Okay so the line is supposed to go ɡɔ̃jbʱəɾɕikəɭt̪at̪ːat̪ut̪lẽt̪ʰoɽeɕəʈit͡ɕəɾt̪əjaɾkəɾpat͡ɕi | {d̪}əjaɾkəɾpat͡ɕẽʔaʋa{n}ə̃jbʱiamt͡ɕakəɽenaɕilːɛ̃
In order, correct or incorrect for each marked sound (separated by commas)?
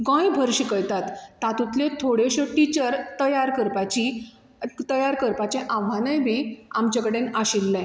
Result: incorrect, correct